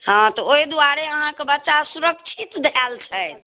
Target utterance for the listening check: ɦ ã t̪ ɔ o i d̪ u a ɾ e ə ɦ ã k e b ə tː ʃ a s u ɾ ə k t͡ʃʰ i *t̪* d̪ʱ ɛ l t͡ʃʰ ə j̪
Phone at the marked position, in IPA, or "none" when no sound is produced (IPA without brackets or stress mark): t̪